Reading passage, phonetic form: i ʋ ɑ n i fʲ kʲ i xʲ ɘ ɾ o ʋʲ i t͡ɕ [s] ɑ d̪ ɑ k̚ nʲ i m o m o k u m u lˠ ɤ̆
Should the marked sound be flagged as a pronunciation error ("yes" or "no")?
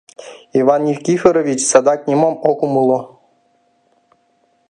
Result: no